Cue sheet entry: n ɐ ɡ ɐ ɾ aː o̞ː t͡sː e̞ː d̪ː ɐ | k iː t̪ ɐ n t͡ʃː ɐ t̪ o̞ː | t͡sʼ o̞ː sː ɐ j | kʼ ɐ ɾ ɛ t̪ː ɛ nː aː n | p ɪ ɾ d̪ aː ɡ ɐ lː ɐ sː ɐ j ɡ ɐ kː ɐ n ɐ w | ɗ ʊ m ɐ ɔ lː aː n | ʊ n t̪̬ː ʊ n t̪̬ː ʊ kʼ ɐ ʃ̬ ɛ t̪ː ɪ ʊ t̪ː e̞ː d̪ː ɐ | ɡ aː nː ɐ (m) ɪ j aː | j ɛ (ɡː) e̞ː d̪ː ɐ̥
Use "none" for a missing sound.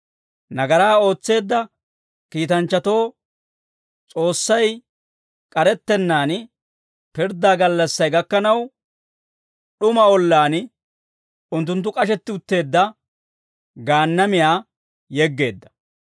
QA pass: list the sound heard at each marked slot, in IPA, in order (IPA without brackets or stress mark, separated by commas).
m, ɡː